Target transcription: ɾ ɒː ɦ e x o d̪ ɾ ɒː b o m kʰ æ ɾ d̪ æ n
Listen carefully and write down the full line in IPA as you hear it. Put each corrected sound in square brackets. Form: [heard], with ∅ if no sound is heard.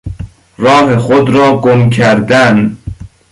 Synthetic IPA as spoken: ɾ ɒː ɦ e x o d̪ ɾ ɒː [ɡ] o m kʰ æ ɾ d̪ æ n